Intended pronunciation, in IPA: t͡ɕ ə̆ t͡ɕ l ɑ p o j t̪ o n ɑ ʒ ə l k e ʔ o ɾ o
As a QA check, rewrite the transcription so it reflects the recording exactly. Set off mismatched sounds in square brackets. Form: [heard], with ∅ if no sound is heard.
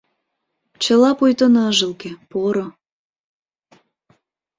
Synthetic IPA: t͡ɕ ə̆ [∅] l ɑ p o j t̪ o n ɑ ʒ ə l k e [p] o ɾ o